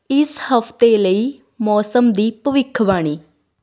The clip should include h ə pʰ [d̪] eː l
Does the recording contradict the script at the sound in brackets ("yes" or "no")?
yes